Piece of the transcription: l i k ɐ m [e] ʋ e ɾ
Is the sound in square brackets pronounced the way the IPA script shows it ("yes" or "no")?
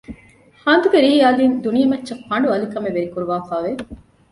yes